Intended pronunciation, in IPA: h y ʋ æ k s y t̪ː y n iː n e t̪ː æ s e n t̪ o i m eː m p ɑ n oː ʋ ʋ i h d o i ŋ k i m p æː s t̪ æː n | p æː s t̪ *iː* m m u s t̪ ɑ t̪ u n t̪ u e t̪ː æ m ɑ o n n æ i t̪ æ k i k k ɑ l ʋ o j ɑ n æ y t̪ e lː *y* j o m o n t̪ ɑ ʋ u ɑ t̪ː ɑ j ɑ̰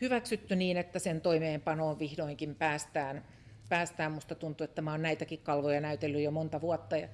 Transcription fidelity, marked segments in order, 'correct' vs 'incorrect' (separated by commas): incorrect, correct